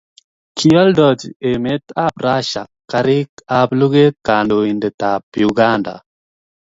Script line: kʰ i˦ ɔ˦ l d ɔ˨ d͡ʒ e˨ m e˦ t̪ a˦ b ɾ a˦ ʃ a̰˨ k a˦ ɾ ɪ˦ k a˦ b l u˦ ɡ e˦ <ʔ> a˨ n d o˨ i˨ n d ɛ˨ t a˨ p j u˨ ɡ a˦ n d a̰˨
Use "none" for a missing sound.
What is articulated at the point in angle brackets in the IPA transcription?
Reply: k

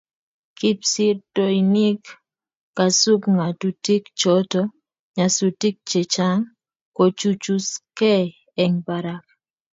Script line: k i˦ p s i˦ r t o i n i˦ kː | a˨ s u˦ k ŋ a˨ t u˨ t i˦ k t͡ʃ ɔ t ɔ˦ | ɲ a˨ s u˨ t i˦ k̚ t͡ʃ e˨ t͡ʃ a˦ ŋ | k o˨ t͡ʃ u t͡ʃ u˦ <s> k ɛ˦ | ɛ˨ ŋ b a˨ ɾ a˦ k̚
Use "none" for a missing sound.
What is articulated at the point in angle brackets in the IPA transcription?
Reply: s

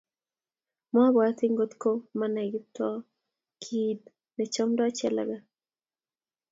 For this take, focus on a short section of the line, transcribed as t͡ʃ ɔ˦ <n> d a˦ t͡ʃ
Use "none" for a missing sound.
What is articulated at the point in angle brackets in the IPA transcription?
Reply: m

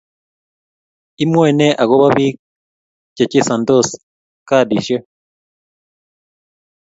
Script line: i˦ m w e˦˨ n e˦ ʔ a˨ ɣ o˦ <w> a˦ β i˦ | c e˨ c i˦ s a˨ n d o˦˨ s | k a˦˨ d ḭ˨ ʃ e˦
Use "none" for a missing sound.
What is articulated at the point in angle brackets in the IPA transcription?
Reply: β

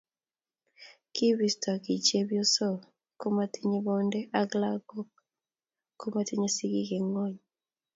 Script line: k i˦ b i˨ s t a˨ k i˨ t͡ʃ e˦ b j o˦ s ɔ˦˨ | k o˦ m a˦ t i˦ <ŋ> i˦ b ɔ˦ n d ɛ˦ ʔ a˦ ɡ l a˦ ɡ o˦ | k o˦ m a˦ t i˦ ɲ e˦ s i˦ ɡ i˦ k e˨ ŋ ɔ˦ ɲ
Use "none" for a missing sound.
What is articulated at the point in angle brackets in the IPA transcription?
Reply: ɲ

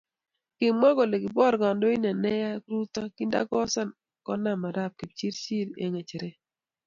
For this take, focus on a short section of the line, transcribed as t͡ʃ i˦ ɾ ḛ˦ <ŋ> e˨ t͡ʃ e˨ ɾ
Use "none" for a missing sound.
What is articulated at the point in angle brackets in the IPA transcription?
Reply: ŋ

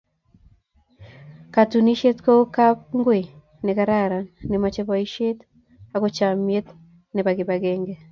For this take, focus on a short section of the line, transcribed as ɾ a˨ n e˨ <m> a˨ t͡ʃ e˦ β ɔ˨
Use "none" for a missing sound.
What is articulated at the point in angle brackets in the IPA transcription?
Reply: m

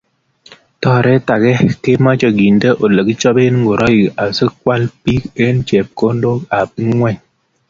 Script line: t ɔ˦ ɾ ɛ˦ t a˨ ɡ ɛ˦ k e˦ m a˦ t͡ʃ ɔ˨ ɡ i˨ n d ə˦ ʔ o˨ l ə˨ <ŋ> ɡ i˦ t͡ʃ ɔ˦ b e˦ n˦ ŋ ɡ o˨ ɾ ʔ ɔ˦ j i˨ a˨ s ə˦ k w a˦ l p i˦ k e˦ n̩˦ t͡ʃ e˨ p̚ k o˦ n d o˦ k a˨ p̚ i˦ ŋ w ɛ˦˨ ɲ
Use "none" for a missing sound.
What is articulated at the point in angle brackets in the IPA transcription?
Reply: none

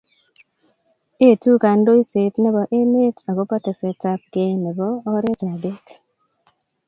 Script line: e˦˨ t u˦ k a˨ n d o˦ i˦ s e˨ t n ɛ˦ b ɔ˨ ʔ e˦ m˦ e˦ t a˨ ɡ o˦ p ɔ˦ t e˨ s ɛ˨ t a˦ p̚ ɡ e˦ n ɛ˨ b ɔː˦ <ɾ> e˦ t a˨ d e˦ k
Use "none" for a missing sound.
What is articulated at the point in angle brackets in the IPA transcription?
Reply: ɾ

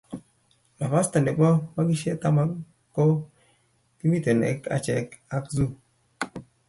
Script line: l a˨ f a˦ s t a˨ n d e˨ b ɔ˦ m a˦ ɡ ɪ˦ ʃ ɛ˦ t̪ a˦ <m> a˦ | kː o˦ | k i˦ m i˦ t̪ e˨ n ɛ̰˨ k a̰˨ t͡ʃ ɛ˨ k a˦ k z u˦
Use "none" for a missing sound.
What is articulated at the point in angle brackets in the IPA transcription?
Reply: m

